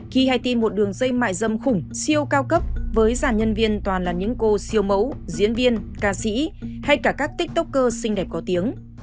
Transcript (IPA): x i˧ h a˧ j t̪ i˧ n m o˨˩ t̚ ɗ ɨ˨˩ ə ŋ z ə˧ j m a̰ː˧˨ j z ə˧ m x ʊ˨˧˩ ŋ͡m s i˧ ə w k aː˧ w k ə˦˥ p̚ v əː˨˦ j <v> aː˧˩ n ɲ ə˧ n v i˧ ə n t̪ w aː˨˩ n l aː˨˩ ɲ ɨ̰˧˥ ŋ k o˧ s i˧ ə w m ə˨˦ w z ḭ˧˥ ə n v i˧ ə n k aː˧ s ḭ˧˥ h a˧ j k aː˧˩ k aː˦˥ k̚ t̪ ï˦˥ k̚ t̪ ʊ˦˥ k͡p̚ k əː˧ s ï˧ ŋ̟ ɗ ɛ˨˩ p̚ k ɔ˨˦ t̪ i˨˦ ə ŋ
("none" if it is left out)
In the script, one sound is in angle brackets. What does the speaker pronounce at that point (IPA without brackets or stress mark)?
z